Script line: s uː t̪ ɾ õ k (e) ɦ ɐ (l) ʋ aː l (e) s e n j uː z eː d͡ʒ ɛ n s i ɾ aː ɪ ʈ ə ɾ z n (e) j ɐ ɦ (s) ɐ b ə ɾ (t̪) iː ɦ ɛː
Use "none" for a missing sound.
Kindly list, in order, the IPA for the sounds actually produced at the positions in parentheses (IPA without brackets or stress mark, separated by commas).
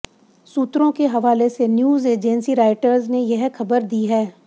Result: e, none, e, e, x, d̪